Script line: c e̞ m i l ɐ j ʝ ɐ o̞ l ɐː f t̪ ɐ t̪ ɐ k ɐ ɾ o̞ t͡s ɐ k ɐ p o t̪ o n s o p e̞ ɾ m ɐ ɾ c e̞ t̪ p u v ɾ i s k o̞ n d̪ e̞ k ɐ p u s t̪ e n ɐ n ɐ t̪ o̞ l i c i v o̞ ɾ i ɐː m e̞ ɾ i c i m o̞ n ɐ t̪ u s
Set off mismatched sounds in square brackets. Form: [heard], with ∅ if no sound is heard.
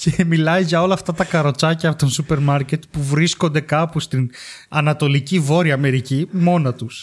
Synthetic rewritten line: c e̞ m i l ɐ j ʝ ɐ o̞ l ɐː f t̪ ɐ t̪ ɐ k ɐ ɾ o̞ t͡s ɐ [c] ɐ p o t̪ o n s [u] p e̞ ɾ m ɐ ɾ c e̞ t̪ p u v ɾ i s k o̞ n d̪ e̞ k ɐ p u s t̪ [i] n ɐ n ɐ t̪ o̞ l i c i v o̞ ɾ i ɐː m e̞ ɾ i c i m o̞ n ɐ t̪ u s